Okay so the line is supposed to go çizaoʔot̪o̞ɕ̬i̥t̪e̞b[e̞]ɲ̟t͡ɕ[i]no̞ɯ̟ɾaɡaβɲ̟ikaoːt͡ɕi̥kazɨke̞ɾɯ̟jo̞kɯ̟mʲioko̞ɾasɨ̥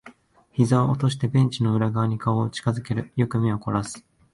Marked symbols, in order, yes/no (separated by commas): no, yes